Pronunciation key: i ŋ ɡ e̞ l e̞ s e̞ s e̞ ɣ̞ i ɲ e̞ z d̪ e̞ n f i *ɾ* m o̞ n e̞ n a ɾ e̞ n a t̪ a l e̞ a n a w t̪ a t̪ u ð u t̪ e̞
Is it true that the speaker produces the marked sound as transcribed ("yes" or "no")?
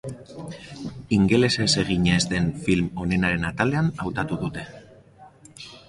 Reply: no